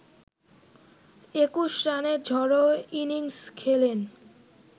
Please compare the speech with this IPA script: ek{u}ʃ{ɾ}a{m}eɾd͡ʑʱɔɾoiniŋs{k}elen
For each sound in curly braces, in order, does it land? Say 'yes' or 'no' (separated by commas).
yes, yes, no, no